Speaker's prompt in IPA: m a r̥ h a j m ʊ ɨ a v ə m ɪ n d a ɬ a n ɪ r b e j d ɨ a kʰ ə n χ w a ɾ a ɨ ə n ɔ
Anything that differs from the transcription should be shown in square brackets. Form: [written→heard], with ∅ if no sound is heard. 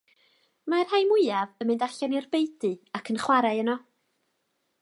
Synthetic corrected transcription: m a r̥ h a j m ʊ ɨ a v ə m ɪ n d a ɬ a n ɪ r b e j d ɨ a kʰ ə n χ w a ɾ a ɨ ə n ɔ